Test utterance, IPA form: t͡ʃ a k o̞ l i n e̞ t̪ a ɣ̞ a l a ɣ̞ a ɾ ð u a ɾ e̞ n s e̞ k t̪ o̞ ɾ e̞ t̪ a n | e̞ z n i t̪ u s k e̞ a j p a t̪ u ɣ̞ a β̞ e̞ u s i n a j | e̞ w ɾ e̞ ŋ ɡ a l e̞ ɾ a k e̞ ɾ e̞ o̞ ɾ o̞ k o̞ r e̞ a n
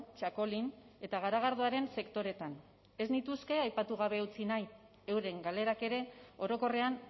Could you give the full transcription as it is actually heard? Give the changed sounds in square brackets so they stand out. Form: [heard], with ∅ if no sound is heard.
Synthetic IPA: t͡ʃ a k o̞ l i n e̞ t̪ a ɣ̞ a [ɾ] a ɣ̞ a ɾ ð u a ɾ e̞ n s e̞ k t̪ o̞ ɾ e̞ t̪ a n | e̞ z n i t̪ u s k e̞ a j p a t̪ u ɣ̞ a β̞ e̞ u [t͡s] i n a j | e̞ w ɾ e̞ ŋ ɡ a l e̞ ɾ a k e̞ ɾ e̞ o̞ ɾ o̞ k o̞ r e̞ a n